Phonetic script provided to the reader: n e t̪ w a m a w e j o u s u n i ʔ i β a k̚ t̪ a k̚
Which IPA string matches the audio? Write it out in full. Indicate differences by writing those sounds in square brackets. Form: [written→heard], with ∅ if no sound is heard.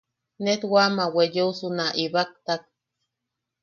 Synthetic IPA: n e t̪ w a m a w e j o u s u n [i→a] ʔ i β a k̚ t̪ a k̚